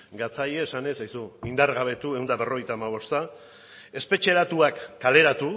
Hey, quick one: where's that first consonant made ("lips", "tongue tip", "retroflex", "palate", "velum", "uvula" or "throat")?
velum